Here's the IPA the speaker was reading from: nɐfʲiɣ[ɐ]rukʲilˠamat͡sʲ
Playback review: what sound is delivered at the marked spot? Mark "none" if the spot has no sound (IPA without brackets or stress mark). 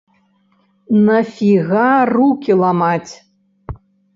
a